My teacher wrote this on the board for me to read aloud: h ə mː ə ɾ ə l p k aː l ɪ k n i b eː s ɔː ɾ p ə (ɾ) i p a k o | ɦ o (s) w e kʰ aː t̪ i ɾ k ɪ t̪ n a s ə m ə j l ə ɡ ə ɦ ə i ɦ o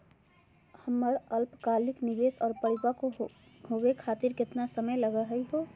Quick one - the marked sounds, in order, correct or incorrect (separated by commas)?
incorrect, incorrect